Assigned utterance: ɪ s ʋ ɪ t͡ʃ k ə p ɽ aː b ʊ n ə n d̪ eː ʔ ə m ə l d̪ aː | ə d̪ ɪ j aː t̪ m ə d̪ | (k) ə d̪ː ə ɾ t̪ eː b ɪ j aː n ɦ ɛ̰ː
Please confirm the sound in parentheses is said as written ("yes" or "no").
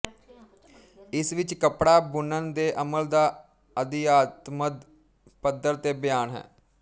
no